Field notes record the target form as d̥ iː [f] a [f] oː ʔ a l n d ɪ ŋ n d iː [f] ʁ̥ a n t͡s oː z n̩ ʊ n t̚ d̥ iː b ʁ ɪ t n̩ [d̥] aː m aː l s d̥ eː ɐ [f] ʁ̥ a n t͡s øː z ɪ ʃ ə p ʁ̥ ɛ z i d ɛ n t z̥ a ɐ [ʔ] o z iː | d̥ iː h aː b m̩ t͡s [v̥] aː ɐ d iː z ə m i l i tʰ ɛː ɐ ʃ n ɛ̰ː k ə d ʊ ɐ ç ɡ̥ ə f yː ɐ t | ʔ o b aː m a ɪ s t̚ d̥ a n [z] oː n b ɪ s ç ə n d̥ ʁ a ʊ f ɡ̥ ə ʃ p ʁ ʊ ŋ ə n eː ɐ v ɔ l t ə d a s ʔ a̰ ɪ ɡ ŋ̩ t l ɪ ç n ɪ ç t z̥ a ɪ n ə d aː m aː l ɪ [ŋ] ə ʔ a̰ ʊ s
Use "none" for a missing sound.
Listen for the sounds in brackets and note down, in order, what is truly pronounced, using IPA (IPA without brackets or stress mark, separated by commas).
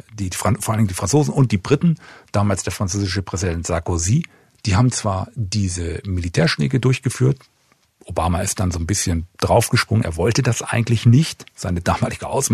f, f, f, d̥, f, k, v̥, z, ɡ